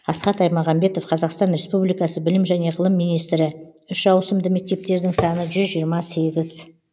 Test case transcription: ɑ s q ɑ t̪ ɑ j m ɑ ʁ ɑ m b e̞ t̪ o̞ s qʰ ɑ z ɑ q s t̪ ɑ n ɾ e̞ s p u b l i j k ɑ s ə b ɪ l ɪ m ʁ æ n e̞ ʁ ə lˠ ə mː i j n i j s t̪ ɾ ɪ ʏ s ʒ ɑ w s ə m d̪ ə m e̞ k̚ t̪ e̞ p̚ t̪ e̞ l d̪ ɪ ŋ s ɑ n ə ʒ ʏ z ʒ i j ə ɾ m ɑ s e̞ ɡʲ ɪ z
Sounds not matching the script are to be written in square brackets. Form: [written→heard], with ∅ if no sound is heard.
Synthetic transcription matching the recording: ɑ s q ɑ t̪ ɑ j m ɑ ʁ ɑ m b e̞ t̪ o̞ [s→f] qʰ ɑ z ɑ q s t̪ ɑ n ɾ e̞ s p u b l i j k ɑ s ə b ɪ l ɪ m [ʁ→ʒ] æ n e̞ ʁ ə lˠ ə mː i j n i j s t̪ ɾ ɪ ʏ [s→ʃ] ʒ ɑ w s ə m d̪ ə m e̞ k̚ t̪ e̞ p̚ t̪ e̞ [l→ɾ] d̪ ɪ ŋ s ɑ n ə ʒ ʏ z ʒ i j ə ɾ m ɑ s e̞ ɡʲ ɪ z